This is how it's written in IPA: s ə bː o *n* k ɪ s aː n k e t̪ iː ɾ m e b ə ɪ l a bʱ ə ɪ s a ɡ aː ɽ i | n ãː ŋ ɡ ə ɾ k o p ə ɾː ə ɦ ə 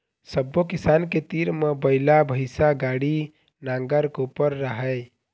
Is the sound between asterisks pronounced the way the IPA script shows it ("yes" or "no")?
no